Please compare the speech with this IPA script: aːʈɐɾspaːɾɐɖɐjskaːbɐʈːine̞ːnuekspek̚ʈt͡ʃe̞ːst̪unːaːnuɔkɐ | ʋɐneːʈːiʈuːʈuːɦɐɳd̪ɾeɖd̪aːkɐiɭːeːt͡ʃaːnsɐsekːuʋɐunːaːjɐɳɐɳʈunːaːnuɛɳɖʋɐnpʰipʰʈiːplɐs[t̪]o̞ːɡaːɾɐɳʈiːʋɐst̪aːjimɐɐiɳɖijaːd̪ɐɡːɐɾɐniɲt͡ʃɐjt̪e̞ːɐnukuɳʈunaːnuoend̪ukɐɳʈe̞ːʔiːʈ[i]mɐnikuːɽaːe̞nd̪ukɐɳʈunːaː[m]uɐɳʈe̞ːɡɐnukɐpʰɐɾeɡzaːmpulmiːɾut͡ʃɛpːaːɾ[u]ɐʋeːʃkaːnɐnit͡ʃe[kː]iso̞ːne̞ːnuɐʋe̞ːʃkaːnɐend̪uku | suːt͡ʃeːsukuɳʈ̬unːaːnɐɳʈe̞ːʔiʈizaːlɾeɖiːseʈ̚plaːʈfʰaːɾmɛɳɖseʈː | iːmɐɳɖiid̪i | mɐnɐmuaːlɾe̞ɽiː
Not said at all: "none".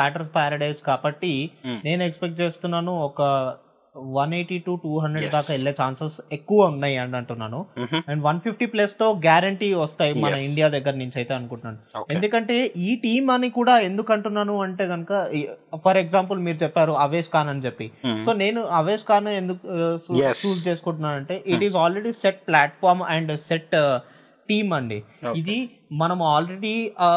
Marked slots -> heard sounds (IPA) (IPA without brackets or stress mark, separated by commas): t̪, iː, n, u, pː